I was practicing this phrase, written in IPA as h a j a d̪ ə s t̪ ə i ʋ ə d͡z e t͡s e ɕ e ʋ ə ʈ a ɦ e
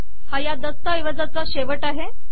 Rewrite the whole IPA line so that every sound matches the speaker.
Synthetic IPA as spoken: h a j a d̪ ə s t̪ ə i ʋ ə d͡z a t͡s a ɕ e ʋ ə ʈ a ɦ e